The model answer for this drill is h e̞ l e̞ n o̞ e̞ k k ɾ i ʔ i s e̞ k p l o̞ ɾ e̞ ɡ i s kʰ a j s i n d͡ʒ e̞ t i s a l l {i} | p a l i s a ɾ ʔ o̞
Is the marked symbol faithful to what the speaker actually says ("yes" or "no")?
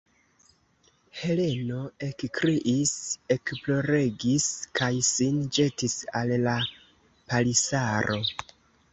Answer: no